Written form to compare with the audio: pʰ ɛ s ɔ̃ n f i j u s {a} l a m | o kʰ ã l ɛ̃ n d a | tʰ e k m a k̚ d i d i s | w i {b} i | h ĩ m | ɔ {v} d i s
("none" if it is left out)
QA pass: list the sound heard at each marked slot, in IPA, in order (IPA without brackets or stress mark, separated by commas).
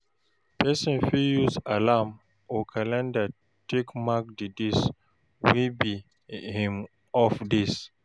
a, b, f